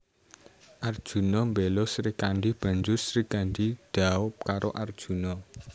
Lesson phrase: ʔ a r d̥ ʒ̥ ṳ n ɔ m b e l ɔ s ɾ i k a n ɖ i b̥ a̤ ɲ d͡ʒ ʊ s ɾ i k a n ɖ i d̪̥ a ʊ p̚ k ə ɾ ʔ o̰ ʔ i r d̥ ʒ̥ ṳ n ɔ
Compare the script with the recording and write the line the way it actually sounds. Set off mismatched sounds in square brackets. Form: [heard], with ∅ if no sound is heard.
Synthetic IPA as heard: ʔ a r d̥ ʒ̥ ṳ n ɔ m b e l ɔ s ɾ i k a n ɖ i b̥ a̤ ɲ d͡ʒ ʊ s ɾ i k a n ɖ i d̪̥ a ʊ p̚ k [a] ɾ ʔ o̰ ʔ [a] r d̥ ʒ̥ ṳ n ɔ